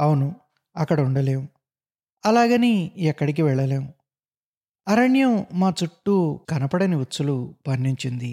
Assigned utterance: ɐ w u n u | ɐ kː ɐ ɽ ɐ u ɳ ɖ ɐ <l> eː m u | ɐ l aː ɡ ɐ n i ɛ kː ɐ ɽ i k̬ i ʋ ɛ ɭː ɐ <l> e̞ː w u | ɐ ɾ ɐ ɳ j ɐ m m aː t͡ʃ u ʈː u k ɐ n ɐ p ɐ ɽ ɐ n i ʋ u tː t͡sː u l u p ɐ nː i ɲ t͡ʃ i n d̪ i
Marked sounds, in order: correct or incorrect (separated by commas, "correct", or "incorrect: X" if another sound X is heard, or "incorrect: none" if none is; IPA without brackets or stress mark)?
correct, correct